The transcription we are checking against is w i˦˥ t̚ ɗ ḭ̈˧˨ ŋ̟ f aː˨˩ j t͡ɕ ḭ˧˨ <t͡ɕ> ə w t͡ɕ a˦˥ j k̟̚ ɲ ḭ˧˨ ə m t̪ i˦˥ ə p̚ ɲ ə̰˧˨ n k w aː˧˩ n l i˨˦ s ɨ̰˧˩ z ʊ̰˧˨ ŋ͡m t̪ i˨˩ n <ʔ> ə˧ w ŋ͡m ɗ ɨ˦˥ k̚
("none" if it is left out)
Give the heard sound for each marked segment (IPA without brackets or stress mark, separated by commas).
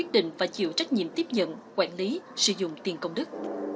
none, k